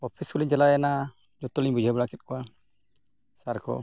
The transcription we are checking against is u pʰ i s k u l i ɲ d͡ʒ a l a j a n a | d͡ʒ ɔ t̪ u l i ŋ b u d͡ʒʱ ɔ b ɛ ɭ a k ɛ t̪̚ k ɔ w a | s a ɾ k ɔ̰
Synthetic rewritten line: ɔ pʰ i s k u l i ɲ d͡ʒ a l a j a n a | d͡ʒ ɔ t̪ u l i ɲ b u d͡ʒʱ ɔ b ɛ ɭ a k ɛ t̪̚ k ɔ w a | s a ɾ k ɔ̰